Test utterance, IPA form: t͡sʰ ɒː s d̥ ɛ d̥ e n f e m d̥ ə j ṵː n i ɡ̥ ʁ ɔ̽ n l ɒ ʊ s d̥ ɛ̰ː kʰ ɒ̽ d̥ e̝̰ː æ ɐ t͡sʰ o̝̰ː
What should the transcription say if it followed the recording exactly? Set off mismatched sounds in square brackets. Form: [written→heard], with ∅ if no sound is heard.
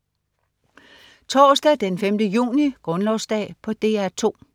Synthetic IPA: t͡sʰ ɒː s d̥ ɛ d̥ e n f e m d̥ ə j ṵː n i ɡ̥ ʁ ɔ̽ n l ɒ ʊ s d̥ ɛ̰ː [kʰ→pʰ] ɒ̽ d̥ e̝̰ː æ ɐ t͡sʰ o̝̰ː